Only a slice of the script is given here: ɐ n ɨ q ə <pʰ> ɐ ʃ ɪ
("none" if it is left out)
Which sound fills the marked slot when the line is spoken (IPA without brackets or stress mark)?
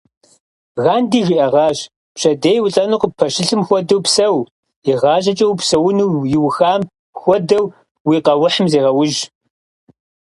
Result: pʰ